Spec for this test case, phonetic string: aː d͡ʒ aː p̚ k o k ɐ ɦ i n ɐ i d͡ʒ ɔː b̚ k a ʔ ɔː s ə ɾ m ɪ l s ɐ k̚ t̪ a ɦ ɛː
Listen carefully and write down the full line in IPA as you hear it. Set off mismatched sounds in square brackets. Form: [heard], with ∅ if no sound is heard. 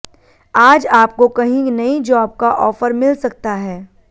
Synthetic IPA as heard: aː d͡ʒ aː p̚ k o k ɐ ɦ [ĩ] n ɐ i d͡ʒ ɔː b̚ k a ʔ ɔː [f] ə ɾ m ɪ l s ɐ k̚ t̪ a ɦ ɛː